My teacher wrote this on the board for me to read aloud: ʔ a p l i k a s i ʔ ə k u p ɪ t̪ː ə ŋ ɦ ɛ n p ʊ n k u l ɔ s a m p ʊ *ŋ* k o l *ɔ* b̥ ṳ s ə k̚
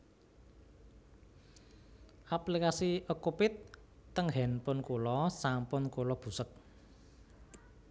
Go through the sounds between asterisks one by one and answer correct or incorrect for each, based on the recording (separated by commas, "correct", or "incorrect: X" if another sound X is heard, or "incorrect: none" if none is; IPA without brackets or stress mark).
incorrect: n, correct